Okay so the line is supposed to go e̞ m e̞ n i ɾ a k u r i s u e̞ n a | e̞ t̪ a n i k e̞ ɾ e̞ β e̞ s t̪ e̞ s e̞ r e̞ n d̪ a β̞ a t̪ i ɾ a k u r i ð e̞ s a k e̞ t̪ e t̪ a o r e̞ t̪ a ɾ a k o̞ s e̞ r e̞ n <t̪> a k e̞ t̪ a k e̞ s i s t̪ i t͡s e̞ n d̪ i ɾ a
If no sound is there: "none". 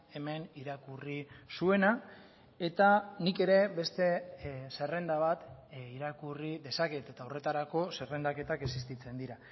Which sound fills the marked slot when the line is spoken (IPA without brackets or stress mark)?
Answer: d̪